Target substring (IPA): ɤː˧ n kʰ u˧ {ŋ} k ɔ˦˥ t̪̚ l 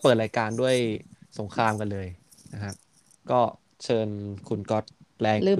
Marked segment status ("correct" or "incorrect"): incorrect